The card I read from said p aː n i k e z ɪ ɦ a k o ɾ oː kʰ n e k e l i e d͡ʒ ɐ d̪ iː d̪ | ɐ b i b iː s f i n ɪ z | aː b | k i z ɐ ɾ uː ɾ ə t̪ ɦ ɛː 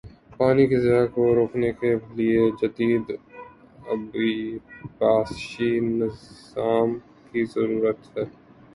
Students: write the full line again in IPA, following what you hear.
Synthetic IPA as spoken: p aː n i k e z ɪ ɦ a k o ɾ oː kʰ n e k e l i e d͡ʒ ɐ d̪ iː d̪ | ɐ b i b aː s ʃ i n ɪ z | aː m | k i z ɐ ɾ uː ɾ ə t̪ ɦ ɛː